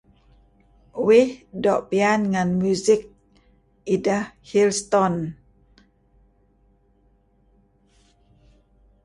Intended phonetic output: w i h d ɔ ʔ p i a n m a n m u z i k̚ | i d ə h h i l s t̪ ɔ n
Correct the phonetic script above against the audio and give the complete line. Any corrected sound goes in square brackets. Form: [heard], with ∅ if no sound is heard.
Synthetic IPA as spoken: w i h d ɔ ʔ p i a n [ŋ] a n m u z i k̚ | i d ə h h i l s t̪ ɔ n